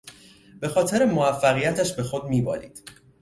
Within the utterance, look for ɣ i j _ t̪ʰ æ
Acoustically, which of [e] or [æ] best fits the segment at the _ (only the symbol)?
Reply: æ